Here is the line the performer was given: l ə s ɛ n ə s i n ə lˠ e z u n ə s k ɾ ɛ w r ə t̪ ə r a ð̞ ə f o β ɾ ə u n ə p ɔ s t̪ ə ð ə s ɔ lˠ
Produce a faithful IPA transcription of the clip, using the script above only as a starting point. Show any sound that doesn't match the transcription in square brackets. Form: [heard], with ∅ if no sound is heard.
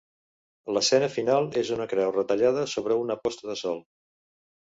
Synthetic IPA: l ə s ɛ n ə [f] i n [a] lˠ e z u n ə [∅] k ɾ ɛ w r ə t̪ ə [ʎ] a ð̞ ə [s] o β ɾ ə u n ə p ɔ s t̪ ə ð ə s ɔ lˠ

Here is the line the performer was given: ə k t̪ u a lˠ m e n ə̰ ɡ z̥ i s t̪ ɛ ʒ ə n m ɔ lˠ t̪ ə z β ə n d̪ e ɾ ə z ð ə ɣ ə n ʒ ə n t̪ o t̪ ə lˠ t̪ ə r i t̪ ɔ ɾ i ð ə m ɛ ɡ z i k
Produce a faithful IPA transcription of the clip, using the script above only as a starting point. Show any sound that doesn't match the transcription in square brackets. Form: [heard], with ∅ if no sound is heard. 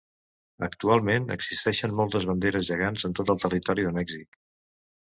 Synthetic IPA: ə k t̪ u a lˠ m e n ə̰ ɡ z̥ i s t̪ ɛ [ʃ] ə n m ɔ lˠ t̪ ə z β ə n d̪ e ɾ ə z [ʒ] ə ɣ [a] n [z] ə n t̪ o t̪ ə lˠ t̪ ə r i t̪ ɔ ɾ i ð ə m ɛ ɡ z i k

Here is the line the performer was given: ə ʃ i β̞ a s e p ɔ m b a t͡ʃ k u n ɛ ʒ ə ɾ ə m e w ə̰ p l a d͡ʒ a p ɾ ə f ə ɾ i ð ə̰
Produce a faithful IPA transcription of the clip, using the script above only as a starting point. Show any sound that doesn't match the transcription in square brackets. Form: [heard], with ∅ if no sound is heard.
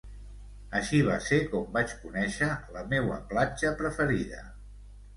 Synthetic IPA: ə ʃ i β̞ a s e [k] ɔ m b a t͡ʃ k u n ɛ [ʃ] ə [l] ə m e w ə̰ p l a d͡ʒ [ə] p ɾ ə f ə ɾ i ð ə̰

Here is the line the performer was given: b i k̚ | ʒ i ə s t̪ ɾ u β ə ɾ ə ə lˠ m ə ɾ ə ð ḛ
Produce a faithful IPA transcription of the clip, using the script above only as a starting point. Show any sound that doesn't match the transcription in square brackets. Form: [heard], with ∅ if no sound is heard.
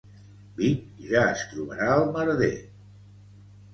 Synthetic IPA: b i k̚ | ʒ [a] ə s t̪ ɾ u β ə ɾ [a] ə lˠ m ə ɾ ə ð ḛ

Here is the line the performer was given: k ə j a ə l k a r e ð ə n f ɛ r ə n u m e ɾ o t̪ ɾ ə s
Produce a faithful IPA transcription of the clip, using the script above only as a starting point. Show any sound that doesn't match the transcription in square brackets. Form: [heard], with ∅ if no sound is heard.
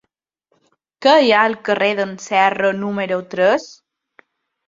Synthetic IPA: k ə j a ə l k [ə] r e ð ə n [s] ɛ r ə n u m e ɾ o t̪ ɾ ə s

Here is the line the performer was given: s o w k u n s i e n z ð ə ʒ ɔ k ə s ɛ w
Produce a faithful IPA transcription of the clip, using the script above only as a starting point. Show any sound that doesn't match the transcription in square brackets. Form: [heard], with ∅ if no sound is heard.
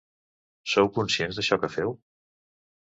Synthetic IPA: s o w k u n s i e n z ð ə [ʃ] ɔ k ə [f] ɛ w

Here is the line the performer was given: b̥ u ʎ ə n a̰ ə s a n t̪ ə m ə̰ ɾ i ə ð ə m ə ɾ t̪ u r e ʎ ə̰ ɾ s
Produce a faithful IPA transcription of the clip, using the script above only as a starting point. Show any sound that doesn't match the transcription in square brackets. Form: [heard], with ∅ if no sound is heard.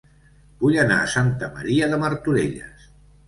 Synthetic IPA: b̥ u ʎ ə n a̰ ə s a n t̪ ə m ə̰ ɾ i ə ð ə m ə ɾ t̪ u [ɾ] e ʎ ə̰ [∅] s

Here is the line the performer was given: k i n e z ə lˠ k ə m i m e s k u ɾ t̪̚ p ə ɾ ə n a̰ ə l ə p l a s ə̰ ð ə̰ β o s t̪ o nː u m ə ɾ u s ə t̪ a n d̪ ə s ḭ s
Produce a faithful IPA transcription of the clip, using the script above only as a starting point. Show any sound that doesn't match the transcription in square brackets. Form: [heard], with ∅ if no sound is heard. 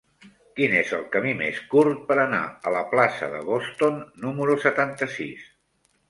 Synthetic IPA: k i n e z ə lˠ k ə m i m e s k u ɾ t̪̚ p ə ɾ ə n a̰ ə l ə p l a s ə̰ ð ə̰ β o s t̪ o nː u m ə ɾ u s ə t̪ a n [t̪] ə s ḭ s

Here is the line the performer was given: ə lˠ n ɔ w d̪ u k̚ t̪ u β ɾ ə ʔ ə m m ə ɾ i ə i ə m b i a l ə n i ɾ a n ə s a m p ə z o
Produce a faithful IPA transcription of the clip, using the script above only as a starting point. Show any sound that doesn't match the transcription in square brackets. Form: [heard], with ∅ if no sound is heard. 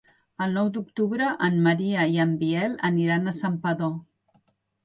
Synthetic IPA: ə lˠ n ɔ w d̪ u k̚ t̪ u β ɾ ə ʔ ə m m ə ɾ i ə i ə m b i [ɛ] l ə n i ɾ a n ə s a m p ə [ð] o

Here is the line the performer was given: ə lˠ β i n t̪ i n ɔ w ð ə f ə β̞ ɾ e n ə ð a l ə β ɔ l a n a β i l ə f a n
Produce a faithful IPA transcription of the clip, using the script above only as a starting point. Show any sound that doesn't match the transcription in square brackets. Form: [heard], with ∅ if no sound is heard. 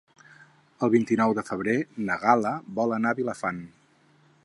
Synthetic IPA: ə lˠ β i n t̪ i n ɔ w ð ə f ə β̞ ɾ e n ə [ɣ] a l ə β ɔ l [ə] n a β i l ə f a n

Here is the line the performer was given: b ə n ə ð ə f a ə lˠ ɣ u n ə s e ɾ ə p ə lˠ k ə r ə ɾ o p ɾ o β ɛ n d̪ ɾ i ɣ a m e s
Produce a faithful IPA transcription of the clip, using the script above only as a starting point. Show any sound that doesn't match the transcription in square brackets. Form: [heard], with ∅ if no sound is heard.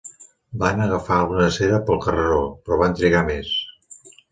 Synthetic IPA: b [a] n ə [ɣ] ə f a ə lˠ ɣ u n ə s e ɾ ə p ə lˠ k ə r ə ɾ o p ɾ [ɔ] β [a] n [t̪] ɾ i ɣ a m e s

